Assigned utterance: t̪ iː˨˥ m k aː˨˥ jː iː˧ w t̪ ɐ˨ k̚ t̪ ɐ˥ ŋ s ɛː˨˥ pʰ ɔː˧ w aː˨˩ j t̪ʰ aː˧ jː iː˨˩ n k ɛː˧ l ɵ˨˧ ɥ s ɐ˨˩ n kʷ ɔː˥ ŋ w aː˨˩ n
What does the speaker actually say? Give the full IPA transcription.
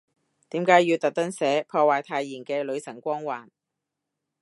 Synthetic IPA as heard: t̪ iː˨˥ m k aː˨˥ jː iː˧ w t̪ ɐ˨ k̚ t̪ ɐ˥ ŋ s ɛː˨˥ pʰ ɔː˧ w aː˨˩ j t̪ʰ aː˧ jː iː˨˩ n k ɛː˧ l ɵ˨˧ ɥ s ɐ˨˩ ŋ kʷ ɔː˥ ŋ w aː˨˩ n

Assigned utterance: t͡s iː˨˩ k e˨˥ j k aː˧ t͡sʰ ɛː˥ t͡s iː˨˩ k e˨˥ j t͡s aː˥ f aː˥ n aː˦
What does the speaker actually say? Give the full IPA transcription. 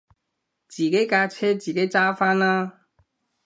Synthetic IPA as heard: t͡s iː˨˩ k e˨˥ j k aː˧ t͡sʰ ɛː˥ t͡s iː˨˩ k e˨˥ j t͡s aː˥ f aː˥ n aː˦

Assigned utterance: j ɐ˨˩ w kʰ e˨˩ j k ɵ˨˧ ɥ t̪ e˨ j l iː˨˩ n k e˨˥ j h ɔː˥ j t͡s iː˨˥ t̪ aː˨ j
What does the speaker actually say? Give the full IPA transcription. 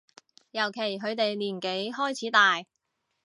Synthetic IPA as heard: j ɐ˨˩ w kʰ e˨˩ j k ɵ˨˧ ɥ t̪ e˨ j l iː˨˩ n k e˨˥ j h ɔː˥ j t͡sʰ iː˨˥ t̪ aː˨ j

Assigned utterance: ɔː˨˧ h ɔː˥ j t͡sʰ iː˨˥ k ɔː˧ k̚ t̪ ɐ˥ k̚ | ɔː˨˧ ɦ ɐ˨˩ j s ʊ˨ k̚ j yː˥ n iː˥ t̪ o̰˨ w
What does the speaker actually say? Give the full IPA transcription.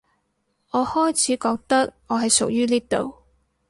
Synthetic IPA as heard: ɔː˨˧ h ɔː˥ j t͡sʰ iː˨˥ k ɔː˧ k̚ t̪ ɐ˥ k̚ | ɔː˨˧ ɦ ɐ˨˩ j s ʊ˨ k̚ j yː˥ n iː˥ t̪ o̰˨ w

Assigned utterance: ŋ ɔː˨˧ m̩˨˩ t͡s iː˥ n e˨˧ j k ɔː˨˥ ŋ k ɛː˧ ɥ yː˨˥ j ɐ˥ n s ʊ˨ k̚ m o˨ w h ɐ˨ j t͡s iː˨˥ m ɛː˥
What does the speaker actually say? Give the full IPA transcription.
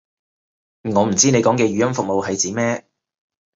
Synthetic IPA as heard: ŋ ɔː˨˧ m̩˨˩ t͡s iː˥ n e˨˧ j k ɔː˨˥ ŋ k ɛː˧ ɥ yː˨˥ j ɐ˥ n f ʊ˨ k̚ m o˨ w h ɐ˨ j t͡s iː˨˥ m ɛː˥

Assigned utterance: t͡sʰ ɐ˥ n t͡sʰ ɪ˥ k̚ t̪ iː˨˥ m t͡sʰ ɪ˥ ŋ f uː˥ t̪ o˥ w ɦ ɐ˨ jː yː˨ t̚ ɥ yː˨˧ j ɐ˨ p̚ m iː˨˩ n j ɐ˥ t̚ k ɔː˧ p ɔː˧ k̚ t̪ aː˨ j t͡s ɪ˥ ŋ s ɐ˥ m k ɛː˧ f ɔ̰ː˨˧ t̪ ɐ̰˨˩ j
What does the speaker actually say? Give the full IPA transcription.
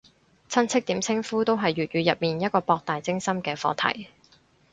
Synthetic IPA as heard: t͡sʰ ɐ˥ n t͡sʰ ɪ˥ k̚ t̪ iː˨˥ m t͡sʰ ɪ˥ ŋ f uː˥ t̪ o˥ w ɦ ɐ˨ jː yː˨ t̚ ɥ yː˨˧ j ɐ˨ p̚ m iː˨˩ n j ɐ˥ t̚ k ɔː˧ p ɔː˧ k̚ t̪ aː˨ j t͡s ɪ˥ ŋ s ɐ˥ m k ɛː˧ f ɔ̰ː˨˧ t̪ʰ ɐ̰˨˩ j

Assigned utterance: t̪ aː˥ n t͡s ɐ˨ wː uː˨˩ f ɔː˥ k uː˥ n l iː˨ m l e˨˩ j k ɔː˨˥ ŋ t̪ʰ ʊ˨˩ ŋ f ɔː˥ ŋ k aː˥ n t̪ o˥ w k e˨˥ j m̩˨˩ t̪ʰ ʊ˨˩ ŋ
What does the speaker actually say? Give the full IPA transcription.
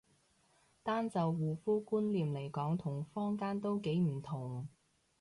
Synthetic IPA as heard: t̪ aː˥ n t͡s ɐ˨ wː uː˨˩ f uː˥ k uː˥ n l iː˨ m l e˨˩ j k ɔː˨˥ ŋ t̪ʰ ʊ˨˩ ŋ f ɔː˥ ŋ k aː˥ n t̪ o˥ w k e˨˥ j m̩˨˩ t̪ʰ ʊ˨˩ ŋ

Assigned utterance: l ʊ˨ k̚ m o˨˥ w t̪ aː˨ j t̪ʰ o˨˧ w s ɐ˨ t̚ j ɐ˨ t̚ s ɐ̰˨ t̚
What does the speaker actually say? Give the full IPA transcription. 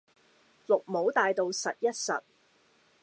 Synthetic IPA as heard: l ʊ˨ k̚ m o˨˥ w t̪ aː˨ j t̪ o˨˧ w s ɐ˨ t̚ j ɐ˥ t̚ s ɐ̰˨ t̚

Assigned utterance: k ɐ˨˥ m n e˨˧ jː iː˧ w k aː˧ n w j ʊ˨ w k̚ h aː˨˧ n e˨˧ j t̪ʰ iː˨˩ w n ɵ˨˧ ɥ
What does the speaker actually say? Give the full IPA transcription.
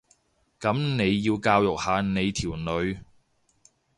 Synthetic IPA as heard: k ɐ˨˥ m n e˨˧ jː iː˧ w k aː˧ w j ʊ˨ k̚ h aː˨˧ n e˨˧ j t̪ʰ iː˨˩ w n ɵ˨˧ ɥ

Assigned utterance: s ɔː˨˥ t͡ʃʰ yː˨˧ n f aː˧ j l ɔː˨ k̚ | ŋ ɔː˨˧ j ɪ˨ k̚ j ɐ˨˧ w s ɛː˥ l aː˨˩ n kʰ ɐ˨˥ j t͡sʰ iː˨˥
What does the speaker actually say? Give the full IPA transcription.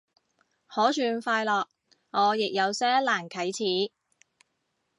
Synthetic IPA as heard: h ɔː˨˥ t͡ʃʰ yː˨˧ n f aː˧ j l ɔː˨ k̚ | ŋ ɔː˨˧ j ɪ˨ k̚ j ɐ˨˧ w s ɛː˥ l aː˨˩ n kʰ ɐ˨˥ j t͡sʰ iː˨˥

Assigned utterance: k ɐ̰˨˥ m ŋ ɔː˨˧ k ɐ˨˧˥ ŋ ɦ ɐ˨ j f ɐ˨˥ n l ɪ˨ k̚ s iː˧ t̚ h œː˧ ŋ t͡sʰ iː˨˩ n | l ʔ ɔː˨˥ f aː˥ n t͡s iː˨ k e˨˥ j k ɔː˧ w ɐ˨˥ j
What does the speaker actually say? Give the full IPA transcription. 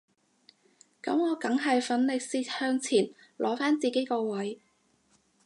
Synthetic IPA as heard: k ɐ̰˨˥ m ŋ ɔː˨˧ k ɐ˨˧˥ ŋ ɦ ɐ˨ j f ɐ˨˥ n l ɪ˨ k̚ s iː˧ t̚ h œː˧ ŋ t͡sʰ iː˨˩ n | l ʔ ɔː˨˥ f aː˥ n t͡s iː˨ k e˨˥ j k ɔː˧ w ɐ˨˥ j

